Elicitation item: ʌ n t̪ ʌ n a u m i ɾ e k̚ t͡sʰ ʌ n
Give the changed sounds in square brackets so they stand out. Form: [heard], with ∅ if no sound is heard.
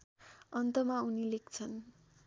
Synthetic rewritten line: ʌ n t̪ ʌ [m] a u [n] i [l] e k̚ t͡sʰ ʌ n